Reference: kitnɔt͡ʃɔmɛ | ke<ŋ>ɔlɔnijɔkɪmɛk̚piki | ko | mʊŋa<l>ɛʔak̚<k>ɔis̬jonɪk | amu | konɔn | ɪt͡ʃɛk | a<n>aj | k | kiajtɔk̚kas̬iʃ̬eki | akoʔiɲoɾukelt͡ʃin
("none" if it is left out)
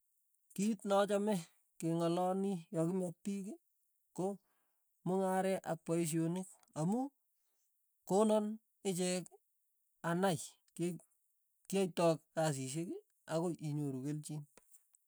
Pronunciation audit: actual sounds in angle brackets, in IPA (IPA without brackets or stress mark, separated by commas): ŋ, ɾ, p, n